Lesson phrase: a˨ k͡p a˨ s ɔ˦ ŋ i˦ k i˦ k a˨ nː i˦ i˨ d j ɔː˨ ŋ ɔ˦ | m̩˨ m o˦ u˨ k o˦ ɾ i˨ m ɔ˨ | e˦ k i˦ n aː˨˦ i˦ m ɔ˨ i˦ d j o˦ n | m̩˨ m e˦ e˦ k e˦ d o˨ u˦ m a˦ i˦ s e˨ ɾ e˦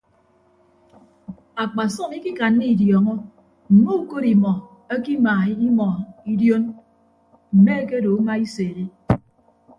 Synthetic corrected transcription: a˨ k͡p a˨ s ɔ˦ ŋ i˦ k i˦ k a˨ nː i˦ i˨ d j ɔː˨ ŋ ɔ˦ | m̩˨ m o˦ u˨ k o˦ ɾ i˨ m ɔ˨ | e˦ k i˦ m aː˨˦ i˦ m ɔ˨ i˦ d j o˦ n | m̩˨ m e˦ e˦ k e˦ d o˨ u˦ m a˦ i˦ s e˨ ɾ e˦